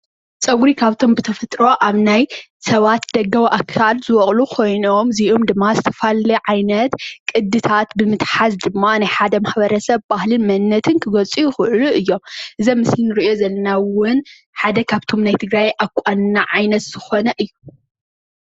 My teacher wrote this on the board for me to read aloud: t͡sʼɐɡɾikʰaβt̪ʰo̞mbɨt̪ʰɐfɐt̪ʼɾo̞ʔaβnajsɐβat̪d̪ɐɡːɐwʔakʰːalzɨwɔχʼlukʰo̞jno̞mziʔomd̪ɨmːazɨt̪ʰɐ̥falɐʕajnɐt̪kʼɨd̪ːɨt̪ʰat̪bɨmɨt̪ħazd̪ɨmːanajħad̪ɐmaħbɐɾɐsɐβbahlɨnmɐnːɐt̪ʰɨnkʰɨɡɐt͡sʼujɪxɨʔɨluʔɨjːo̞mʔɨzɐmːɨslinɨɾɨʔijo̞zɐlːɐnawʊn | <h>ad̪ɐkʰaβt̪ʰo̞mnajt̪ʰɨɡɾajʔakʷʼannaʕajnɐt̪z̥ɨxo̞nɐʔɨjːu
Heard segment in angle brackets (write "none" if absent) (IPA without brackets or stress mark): ħ